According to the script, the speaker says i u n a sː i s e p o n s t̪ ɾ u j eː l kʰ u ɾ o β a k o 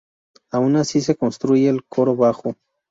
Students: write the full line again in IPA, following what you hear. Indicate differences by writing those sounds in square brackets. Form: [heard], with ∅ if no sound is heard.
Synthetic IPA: [a] u n a [s] i s e [k] o n s t̪ ɾ u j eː l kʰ [o] ɾ o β a [x] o